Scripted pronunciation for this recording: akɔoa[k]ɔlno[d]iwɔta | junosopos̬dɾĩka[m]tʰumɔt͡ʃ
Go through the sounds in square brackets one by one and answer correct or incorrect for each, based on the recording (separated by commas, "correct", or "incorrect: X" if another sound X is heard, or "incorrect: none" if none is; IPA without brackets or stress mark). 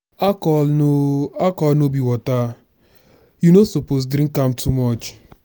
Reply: correct, incorrect: b, correct